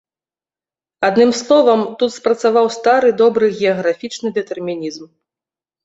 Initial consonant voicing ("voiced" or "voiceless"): voiced